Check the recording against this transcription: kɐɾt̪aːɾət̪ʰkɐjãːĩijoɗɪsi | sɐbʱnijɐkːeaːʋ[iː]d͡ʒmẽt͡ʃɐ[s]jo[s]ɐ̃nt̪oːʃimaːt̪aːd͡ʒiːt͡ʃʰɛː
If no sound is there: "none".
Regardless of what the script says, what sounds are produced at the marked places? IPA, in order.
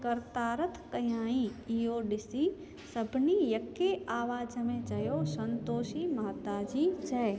aː, none, s

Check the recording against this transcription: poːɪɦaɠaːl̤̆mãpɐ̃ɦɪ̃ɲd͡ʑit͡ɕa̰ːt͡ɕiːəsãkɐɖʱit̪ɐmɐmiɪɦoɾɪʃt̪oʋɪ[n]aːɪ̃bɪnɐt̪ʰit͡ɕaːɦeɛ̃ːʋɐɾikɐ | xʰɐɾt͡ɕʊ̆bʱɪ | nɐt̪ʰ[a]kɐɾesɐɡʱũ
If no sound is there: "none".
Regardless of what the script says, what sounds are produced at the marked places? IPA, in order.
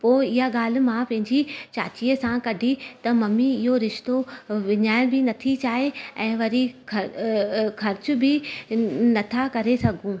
ɲ, a

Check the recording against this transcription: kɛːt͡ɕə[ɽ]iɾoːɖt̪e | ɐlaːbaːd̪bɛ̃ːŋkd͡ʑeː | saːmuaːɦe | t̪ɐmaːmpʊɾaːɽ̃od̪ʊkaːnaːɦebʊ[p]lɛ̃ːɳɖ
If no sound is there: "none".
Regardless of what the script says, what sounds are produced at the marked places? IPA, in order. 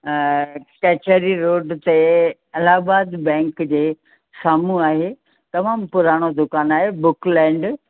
ɾ, k

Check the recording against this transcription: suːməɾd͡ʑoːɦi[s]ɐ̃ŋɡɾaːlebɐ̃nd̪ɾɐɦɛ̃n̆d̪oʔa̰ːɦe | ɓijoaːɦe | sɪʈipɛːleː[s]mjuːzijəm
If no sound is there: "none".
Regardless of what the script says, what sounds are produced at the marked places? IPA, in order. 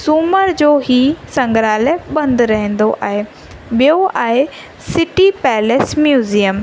s, s

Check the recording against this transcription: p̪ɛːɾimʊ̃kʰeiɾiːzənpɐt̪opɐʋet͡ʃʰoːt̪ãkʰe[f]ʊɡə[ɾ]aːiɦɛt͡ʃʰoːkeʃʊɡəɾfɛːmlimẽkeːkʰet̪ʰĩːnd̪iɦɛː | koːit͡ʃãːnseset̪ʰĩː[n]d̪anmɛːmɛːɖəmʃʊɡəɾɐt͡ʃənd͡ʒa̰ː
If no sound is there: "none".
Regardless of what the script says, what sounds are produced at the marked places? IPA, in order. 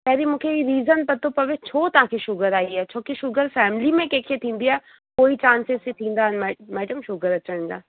ʃ, ɾ, n

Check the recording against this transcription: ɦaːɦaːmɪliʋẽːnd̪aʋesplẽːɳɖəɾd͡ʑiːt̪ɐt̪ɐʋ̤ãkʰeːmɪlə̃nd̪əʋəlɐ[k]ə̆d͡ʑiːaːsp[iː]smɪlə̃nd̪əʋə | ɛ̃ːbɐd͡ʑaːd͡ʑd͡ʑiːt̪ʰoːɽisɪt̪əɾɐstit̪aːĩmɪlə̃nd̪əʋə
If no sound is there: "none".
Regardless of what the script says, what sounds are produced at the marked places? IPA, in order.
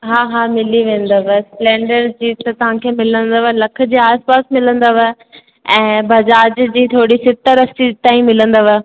kʰ, aː

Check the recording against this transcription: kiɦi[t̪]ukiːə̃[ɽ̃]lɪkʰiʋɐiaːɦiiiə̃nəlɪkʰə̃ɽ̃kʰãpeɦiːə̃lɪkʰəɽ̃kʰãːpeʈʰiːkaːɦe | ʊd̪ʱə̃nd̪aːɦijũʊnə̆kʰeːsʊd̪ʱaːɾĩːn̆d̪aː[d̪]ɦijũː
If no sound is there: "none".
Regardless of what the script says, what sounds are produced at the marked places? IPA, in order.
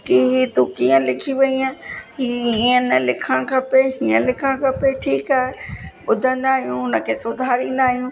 t̪, none, none

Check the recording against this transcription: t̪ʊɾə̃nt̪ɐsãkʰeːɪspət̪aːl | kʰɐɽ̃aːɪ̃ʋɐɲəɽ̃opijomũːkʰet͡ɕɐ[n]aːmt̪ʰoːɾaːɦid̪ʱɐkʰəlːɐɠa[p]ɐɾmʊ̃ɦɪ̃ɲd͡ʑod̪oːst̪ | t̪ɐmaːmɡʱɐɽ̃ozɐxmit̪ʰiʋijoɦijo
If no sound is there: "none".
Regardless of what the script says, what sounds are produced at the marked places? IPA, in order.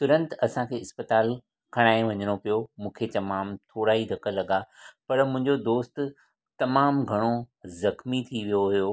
m, p

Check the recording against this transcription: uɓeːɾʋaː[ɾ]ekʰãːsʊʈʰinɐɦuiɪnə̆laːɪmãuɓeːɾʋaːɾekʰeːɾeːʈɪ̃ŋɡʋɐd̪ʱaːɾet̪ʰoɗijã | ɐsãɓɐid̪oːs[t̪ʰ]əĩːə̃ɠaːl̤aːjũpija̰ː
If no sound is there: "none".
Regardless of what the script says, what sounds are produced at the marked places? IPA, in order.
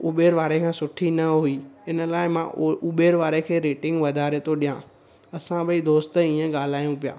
ɾ, t̪

